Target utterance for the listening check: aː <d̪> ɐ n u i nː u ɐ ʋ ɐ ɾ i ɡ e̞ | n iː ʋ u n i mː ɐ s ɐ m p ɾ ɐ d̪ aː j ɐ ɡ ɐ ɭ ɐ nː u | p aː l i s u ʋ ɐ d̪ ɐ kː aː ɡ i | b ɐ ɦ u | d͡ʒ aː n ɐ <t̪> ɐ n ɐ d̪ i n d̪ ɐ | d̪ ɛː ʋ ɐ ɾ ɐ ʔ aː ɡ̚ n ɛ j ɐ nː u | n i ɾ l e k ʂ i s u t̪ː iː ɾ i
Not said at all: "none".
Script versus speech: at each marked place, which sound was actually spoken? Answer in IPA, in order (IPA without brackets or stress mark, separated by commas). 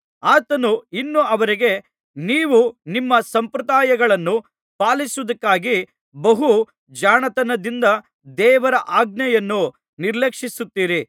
t̪, t̪